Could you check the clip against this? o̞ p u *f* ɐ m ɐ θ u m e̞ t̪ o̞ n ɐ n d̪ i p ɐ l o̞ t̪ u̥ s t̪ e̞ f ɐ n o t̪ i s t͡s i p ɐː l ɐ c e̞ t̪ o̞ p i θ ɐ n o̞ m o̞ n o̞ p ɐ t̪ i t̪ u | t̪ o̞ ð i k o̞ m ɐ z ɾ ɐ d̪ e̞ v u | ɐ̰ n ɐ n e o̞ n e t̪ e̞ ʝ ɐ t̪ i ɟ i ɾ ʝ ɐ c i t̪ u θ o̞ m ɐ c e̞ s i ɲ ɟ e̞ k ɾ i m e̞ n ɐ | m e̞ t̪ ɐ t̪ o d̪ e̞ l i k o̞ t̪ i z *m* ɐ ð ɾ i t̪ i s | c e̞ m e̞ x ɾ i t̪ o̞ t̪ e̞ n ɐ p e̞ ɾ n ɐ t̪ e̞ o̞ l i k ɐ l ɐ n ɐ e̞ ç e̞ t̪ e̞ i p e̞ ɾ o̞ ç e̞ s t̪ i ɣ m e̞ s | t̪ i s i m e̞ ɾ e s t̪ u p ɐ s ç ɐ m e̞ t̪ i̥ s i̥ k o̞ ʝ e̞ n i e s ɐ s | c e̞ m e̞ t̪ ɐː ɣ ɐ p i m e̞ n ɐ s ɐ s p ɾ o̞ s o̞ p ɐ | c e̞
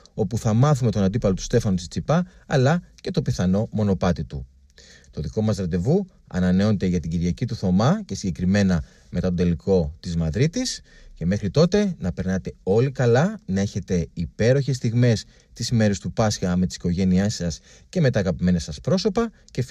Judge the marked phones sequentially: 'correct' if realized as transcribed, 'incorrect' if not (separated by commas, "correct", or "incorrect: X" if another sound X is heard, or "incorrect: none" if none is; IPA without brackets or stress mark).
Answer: incorrect: θ, correct